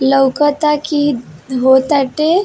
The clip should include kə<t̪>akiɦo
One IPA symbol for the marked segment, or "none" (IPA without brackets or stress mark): t̪